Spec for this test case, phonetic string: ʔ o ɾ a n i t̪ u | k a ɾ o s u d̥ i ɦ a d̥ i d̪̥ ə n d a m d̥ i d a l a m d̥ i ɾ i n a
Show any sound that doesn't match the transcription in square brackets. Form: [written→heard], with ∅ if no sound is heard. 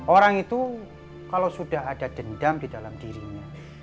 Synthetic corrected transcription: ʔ o ɾ a [n→ŋ] i t̪ u | k a [ɾ→l] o s u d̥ [i→a] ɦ a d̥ [i→a] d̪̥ ə n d a m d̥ i d a l a m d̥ i ɾ i [n→ɲ] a